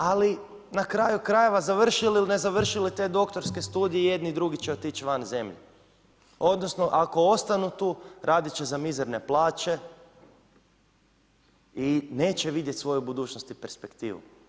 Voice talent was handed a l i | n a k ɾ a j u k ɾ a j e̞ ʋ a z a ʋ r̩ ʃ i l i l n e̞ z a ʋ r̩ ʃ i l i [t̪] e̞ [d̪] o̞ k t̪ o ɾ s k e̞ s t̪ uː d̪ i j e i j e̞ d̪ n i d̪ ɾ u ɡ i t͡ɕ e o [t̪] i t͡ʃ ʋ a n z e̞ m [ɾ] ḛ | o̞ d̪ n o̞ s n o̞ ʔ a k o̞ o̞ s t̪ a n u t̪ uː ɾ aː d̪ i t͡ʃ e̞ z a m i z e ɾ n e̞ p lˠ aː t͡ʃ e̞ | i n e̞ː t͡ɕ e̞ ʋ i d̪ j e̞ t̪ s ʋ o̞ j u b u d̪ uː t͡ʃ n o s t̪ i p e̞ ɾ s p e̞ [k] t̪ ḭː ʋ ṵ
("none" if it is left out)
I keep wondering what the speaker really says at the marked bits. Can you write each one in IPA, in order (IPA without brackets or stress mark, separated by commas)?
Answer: t̪, d̪, t̪, ʎ, k